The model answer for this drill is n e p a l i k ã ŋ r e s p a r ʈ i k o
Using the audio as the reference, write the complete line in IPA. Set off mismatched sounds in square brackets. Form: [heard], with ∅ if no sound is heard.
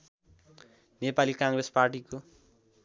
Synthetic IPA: n e p a l i k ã ŋ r e s p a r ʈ i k o